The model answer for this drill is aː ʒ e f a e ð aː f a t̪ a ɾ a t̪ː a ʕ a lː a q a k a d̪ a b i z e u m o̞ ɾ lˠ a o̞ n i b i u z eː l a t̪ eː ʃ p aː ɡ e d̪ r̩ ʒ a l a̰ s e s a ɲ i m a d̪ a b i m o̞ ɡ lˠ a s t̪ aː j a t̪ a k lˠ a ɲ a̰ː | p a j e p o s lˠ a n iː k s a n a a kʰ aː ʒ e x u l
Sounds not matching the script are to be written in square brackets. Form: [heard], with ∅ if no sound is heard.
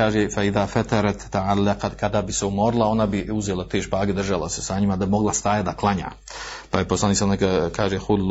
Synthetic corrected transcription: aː ʒ e f a [i] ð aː f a t̪ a ɾ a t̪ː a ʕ a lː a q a k a d̪ a b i [s] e u m o̞ ɾ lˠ a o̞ n [a] b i u z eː l a t̪ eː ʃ p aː ɡ e d̪ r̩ ʒ a l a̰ s e s a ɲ i m a d̪ a b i m o̞ ɡ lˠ a s t̪ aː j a [d̪] a k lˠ a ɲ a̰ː | p a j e p o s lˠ a n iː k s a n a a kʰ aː ʒ e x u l